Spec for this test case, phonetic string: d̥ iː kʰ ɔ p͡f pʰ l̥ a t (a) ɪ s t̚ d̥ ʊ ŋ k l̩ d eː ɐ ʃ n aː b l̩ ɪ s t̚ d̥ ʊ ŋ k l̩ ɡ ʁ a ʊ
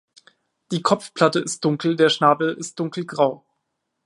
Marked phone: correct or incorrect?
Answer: incorrect